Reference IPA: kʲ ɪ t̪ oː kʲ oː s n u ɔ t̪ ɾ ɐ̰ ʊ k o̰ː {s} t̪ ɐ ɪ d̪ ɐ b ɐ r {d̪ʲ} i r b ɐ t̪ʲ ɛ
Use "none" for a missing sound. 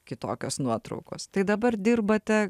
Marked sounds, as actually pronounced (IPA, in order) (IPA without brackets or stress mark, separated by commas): s, d̪ʲ